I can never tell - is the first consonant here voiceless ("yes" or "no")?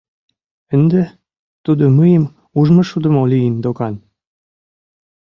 no